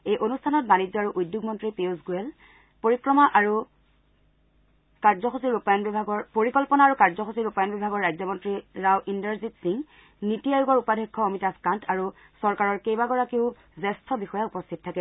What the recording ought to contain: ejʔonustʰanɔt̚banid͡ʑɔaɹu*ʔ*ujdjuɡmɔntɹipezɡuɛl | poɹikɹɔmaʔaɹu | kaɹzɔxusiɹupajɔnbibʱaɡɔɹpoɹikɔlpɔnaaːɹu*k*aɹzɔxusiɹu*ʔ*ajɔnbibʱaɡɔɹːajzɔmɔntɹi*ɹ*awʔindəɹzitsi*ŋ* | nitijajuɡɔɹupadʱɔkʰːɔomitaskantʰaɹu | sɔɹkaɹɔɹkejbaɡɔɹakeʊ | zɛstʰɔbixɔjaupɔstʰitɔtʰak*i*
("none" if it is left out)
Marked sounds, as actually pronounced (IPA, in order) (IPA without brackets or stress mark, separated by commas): ʔ, k, p, ɹ, ŋ, ɛ